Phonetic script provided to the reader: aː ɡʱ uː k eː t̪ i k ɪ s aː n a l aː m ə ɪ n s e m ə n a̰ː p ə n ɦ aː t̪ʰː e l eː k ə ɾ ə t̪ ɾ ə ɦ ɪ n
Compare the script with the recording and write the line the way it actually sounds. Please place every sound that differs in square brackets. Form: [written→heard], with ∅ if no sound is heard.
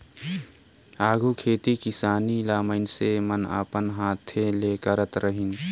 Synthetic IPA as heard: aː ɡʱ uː [k→kʰ] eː t̪ i k ɪ s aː n [a→i] l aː m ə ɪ n s e m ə n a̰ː p ə n ɦ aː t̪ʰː e l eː k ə ɾ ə t̪ ɾ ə ɦ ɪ n